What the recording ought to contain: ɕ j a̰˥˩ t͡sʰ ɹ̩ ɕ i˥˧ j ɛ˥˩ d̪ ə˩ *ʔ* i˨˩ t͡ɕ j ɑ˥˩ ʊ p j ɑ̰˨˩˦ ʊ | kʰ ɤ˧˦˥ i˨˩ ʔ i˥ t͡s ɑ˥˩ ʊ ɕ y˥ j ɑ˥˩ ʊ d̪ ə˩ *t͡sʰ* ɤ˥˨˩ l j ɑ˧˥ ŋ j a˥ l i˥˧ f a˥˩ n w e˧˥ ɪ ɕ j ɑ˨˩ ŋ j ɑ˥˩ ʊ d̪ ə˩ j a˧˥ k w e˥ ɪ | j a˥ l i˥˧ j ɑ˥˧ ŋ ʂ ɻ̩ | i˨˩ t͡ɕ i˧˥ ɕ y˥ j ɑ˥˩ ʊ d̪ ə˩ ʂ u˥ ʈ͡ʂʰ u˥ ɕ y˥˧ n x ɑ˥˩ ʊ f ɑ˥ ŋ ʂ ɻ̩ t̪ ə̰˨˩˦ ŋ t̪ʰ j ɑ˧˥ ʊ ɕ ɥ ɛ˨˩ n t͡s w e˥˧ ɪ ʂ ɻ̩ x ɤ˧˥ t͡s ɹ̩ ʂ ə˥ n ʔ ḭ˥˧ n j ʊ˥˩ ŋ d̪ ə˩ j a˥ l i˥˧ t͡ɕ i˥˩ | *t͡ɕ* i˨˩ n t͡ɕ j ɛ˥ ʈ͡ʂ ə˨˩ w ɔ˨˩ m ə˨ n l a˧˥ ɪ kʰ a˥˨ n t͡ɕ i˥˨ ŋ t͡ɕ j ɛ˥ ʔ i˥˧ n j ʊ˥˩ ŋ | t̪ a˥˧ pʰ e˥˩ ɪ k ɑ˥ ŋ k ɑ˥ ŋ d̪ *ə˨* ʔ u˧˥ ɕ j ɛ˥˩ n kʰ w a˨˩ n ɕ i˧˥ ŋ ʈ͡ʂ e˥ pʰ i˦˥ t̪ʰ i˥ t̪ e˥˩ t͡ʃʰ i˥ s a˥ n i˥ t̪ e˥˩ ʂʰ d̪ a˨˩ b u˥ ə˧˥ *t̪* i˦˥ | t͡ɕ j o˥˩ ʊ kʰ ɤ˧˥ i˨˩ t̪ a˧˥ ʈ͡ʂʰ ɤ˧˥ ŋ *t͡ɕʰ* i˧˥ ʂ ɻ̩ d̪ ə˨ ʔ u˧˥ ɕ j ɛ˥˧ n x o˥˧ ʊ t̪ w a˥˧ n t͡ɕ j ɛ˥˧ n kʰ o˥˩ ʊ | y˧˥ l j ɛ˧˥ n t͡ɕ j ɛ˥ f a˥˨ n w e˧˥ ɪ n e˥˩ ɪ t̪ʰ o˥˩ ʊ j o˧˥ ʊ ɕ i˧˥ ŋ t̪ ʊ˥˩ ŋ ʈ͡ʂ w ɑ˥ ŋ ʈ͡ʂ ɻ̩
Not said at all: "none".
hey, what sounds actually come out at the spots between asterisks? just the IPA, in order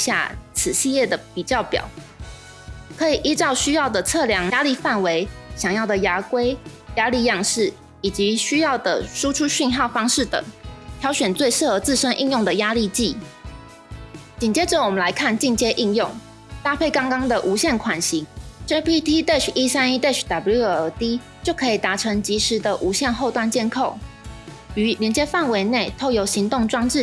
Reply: p, t͡sʰ, t͡ɕ, ə˨, t̪, t͡ɕ

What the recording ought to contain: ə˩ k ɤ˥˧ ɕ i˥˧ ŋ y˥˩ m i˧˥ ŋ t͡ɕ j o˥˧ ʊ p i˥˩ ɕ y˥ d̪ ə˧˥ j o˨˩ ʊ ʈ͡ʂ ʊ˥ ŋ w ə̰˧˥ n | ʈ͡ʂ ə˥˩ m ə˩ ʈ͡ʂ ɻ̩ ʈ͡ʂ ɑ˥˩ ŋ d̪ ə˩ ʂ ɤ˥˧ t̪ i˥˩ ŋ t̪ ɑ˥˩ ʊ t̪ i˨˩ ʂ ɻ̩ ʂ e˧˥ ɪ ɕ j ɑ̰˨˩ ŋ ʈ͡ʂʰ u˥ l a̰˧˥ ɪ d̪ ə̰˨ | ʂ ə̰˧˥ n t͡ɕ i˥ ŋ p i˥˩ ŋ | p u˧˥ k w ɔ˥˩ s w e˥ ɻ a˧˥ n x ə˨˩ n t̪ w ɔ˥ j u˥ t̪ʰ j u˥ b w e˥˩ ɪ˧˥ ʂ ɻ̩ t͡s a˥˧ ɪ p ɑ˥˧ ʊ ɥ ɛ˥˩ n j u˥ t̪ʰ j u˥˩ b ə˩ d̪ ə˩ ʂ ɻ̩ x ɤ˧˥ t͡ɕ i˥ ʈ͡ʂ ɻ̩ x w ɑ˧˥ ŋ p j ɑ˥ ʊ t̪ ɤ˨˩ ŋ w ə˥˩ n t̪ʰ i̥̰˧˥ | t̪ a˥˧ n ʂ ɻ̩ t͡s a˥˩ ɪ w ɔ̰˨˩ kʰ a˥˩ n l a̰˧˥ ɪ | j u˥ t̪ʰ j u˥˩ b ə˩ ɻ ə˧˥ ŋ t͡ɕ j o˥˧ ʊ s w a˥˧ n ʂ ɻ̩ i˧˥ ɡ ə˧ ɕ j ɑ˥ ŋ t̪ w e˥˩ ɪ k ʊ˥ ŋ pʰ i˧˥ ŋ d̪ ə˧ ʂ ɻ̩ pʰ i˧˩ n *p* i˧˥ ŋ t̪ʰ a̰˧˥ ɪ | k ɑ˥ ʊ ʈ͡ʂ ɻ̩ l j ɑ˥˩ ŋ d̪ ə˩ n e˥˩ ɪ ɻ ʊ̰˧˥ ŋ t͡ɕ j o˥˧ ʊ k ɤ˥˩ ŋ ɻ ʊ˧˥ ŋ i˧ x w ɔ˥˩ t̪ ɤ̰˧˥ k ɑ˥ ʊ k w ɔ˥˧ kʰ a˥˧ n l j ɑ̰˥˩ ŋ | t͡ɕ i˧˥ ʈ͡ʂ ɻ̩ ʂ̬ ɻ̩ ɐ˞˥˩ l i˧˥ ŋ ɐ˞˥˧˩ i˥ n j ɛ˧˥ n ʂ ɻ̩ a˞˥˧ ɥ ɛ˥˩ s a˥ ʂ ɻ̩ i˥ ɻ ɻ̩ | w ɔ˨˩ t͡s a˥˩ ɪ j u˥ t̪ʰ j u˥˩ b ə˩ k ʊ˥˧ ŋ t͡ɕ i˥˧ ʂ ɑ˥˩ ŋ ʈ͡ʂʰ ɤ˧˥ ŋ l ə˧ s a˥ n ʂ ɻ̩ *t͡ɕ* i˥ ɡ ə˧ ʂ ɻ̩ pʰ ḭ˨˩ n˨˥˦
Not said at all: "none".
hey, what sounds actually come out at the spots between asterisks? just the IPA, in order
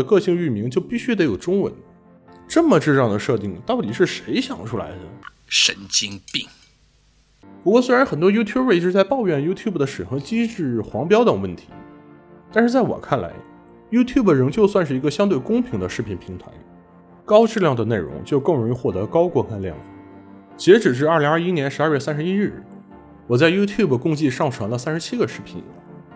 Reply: pʰ, t͡ɕʰ

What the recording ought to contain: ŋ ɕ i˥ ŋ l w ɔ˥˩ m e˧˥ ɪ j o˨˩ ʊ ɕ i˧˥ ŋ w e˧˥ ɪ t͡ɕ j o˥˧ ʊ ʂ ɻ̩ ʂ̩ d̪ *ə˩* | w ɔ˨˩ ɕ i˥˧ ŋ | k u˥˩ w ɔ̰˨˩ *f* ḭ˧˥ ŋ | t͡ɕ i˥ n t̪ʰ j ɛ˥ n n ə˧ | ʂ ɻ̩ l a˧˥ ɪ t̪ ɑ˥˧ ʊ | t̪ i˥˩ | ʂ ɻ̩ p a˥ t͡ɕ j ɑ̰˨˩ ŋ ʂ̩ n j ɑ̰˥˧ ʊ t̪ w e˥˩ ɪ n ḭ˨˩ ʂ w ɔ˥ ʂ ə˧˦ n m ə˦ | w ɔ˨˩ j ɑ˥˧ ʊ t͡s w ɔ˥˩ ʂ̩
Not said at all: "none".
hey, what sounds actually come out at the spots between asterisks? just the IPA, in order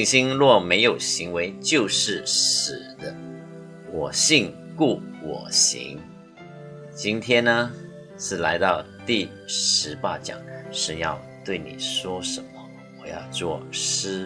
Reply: ə˦, ɕ

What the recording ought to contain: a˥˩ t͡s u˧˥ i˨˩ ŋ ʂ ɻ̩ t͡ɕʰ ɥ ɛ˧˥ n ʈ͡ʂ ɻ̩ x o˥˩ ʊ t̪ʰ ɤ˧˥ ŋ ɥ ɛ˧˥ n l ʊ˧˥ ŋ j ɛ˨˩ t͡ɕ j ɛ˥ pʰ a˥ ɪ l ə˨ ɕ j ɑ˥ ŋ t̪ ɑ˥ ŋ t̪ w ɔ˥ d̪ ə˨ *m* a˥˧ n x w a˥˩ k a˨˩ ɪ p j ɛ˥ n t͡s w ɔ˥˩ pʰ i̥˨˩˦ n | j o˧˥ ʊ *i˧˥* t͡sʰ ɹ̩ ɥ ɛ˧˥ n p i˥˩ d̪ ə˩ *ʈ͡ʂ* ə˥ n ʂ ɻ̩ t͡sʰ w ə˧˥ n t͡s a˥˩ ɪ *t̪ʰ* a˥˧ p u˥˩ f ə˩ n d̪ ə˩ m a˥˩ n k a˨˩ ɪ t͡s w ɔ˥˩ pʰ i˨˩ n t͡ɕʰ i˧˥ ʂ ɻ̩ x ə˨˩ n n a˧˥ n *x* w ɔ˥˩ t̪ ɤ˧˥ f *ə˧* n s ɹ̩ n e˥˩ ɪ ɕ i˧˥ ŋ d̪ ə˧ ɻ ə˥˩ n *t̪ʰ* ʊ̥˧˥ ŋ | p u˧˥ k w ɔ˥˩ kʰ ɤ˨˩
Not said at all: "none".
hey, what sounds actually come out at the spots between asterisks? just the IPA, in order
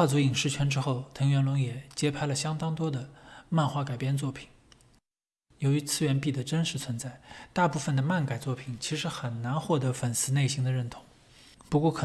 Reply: m, y˧˥, ʈ͡ʂ, t̪, x, ə˨˩, t̪ʰ

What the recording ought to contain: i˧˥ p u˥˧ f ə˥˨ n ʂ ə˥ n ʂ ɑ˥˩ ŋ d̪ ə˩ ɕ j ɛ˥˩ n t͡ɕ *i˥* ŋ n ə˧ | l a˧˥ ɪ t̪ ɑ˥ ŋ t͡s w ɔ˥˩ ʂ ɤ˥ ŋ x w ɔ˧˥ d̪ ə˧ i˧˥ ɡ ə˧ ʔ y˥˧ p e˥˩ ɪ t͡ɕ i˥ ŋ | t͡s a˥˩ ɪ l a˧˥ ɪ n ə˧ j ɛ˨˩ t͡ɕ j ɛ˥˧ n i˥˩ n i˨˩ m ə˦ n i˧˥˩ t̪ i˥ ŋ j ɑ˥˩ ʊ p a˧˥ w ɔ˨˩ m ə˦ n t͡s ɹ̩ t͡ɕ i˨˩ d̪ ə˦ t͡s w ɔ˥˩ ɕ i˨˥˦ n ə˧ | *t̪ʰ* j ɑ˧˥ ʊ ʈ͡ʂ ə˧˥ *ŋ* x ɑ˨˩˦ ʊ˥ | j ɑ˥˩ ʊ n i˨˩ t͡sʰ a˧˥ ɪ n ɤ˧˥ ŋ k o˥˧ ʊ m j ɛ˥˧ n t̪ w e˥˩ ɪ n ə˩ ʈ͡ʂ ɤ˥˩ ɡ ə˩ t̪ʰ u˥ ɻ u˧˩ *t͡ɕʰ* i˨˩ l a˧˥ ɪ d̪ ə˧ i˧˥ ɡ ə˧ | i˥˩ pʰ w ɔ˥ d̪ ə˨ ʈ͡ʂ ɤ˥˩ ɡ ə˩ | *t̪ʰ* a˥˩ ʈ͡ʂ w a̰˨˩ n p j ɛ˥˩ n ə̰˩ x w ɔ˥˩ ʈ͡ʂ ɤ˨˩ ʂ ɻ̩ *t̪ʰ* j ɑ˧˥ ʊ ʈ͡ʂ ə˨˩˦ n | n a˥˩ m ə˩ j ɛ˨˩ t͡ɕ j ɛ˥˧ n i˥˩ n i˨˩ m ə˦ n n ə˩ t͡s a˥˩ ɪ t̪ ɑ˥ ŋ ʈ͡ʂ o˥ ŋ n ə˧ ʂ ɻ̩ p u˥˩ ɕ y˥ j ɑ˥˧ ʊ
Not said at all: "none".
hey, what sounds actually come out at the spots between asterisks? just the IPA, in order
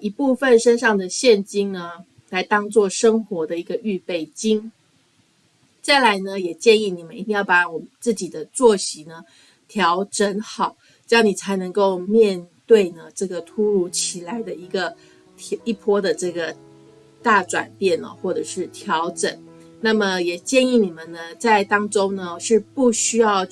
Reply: i˥, t̪ʰ, n, t͡ɕʰ, t̪, t̪ʰ

